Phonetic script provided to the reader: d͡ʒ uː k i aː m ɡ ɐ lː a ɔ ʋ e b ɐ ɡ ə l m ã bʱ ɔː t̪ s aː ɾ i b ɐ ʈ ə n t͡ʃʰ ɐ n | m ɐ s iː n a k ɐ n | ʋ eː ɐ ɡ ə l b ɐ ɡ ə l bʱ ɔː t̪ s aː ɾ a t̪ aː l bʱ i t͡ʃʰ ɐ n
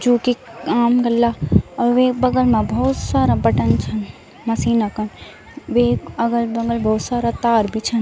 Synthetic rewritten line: d͡ʒ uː k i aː m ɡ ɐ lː a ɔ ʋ e b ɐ ɡ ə l m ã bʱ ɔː t̪ s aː ɾ a b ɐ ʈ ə n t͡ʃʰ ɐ n | m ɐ s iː n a k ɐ n | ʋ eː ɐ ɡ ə l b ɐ ɡ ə l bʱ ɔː t̪ s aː ɾ a t̪ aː ɾ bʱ i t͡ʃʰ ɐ n